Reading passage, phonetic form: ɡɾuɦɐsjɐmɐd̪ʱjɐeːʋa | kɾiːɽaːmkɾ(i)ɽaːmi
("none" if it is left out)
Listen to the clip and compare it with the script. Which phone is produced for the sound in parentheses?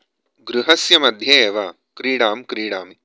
iː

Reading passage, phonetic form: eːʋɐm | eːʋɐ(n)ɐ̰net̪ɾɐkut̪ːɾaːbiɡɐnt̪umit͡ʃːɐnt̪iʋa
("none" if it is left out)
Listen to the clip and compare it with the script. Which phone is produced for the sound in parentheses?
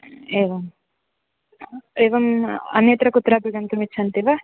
m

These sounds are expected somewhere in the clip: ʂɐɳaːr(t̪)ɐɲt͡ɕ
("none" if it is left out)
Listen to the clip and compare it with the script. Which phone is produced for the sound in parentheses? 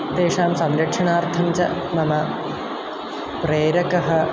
t̪ʰ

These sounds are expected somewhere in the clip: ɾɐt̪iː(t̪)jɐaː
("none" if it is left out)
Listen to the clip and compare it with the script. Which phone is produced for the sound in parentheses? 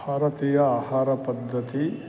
none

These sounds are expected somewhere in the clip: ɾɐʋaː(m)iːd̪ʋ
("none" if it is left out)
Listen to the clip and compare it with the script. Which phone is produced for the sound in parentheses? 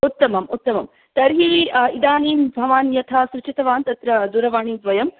ɳ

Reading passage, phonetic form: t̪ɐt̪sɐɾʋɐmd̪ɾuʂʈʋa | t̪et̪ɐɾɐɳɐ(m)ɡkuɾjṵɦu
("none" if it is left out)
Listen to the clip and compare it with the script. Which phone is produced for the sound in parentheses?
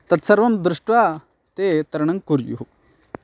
ŋ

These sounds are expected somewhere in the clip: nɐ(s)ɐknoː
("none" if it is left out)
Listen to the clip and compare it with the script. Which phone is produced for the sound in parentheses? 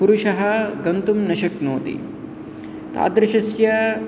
ʃ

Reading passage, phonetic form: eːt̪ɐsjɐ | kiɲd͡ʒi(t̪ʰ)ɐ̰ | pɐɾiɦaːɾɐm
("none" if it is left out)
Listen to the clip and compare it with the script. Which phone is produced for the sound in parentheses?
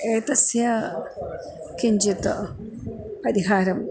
t̪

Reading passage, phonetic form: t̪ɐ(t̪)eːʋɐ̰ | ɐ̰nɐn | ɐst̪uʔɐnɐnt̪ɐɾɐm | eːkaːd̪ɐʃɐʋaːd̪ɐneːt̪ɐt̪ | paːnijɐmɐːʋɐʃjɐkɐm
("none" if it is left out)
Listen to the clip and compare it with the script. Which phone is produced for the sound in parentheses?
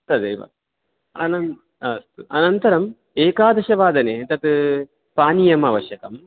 d̪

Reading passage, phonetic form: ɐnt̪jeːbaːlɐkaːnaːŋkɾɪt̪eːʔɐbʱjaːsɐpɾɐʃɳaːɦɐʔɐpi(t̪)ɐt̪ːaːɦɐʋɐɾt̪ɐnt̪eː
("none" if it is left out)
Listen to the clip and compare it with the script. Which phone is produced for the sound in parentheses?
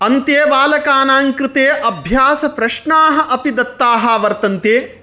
d̪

